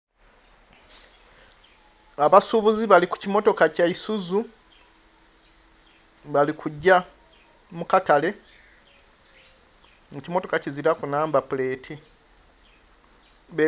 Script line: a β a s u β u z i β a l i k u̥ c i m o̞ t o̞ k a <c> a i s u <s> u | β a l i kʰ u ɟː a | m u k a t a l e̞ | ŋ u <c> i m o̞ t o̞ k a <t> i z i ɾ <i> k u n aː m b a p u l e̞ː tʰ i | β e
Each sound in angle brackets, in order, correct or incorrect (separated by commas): correct, incorrect, correct, incorrect, incorrect